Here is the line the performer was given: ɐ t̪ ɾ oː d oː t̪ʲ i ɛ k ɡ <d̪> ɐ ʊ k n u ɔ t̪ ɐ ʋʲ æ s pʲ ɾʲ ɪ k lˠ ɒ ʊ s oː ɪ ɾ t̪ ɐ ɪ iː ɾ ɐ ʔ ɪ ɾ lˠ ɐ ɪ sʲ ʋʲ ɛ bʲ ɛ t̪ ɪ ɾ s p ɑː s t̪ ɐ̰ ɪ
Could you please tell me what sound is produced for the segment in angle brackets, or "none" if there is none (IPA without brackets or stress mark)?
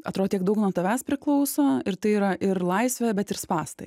d̪